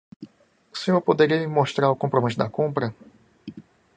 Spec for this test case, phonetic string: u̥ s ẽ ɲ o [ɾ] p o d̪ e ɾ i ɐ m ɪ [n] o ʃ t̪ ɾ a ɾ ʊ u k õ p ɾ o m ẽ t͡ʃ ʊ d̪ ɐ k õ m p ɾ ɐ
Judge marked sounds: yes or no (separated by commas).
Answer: yes, no